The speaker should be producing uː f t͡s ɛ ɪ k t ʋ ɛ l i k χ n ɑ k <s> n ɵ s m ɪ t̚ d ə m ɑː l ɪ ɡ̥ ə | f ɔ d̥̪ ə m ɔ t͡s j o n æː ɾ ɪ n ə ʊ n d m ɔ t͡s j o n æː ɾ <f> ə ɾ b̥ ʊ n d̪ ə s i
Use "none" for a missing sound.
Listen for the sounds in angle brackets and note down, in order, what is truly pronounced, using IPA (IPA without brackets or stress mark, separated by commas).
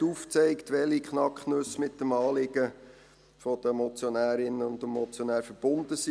χ, f